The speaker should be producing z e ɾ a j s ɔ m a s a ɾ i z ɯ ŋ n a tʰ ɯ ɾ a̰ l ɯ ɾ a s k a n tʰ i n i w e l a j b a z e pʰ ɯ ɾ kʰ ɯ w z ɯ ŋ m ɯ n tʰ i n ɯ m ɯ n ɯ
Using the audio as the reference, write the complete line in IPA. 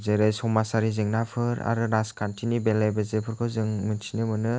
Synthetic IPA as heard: z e ɾ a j s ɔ m a s a ɾ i z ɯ ŋ n a pʰ ɯ ɾ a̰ ɾ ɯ ɾ a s k a n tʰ i n i b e l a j b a z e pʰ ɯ ɾ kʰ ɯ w z ɯ ŋ m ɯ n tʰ i n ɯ m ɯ n ɯ